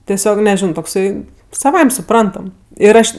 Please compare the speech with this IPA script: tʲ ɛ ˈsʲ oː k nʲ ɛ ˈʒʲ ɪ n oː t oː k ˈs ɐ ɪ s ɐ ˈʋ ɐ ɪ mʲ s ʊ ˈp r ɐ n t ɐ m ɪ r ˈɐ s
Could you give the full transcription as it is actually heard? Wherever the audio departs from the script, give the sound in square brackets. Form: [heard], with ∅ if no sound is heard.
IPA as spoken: tʲ ɛ ˈsʲ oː k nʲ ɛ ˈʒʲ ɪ n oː t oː k ˈs ɐ ɪ s ɐ ˈʋ ɐ ɪ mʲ s ʊ ˈp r ɐ n t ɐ m ɪ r ˈɐ [ʃ]